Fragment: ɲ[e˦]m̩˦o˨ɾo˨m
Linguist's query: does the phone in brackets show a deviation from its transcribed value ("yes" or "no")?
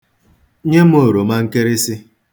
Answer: no